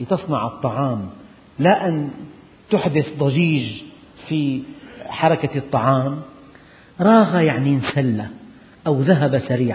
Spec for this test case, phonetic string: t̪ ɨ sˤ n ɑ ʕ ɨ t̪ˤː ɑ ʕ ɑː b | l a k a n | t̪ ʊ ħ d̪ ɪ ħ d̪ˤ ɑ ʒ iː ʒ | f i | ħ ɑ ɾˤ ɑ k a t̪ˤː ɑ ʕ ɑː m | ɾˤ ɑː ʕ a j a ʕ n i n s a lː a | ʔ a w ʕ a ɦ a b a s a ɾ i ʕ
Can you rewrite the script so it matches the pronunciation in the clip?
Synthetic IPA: t̪ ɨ sˤ n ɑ ʕ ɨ t̪ˤː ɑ ʕ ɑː m | l a ʔ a n | t̪ ʊ ħ d̪ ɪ θ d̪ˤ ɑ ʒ iː ʒ | f i | ħ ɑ ɾˤ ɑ k a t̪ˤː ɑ ʕ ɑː m | ɾˤ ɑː ɣ a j a ʕ n i n s a lː a | ʔ a w ð a ɦ a b a s a ɾ iː ʕ